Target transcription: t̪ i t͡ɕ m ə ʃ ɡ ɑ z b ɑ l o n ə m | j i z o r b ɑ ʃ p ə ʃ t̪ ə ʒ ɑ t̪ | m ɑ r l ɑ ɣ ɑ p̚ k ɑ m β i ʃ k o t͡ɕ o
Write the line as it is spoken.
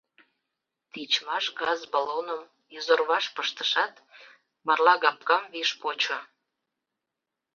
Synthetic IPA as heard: t̪ i t͡ɕ m ɑ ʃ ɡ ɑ z b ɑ l o n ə m | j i z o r β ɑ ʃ p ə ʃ t̪ ə ʃ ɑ t̪ | m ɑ r l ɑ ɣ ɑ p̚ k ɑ m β i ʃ p o t͡ɕ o